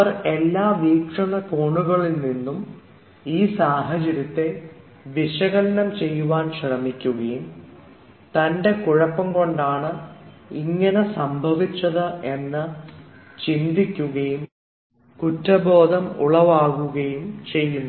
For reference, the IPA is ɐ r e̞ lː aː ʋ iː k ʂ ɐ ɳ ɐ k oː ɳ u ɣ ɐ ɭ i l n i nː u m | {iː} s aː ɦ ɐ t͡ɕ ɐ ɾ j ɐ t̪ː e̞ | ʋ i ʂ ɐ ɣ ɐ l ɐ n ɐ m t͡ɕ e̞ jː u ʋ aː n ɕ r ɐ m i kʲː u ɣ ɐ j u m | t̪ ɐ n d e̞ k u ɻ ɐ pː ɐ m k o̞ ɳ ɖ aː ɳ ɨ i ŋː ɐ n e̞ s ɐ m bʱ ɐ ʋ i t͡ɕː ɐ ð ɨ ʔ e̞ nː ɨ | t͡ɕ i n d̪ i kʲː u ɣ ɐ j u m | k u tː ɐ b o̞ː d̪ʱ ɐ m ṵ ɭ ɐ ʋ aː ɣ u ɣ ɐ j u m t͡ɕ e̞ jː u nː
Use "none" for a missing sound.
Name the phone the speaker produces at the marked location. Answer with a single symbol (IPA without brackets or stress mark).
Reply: iː